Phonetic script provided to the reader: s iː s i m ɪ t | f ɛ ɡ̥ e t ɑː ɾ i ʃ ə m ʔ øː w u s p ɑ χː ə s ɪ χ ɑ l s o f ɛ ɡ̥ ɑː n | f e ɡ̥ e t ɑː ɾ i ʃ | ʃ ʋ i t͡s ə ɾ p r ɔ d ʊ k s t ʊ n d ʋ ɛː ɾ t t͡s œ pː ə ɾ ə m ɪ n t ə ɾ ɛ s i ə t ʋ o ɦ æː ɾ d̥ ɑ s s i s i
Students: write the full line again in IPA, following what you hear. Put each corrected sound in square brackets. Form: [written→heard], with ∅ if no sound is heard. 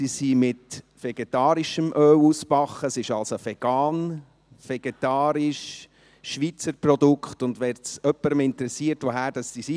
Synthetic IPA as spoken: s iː s i m ɪ t | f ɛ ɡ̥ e t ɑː ɾ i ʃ ə m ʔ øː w u s p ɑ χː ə s ɪ [χ→ʃ] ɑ l s o f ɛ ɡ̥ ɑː n | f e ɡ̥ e t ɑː ɾ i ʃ | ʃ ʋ i t͡s ə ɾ p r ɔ d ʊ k [s→χ] t ʊ n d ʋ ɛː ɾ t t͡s œ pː ə ɾ ə m ɪ n t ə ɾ ɛ s i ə t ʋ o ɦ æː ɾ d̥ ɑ s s i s i